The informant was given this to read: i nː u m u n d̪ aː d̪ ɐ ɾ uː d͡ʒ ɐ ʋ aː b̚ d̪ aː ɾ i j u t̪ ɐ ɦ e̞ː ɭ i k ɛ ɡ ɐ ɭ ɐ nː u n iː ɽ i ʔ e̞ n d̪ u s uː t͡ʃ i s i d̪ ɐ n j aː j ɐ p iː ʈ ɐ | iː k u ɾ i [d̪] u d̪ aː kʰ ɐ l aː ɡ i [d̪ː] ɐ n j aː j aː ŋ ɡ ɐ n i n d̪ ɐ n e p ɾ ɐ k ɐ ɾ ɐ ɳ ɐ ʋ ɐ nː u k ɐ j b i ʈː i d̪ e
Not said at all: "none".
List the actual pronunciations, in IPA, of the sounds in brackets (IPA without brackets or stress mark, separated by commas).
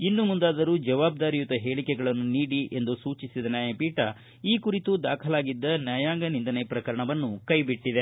t̪, d̪ː